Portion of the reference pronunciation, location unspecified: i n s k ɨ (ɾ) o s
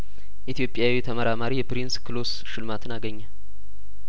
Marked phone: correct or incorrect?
incorrect